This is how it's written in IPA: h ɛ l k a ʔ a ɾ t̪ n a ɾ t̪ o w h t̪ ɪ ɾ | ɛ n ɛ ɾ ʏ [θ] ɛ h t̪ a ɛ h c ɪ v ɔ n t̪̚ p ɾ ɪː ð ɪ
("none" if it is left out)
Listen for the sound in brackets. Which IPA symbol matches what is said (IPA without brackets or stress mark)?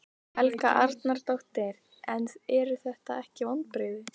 θ